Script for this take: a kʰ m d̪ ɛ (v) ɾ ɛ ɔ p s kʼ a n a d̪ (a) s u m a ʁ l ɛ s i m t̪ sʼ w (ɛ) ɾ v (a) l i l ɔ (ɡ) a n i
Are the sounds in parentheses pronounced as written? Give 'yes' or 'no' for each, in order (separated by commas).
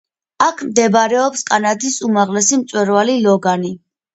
no, no, yes, yes, yes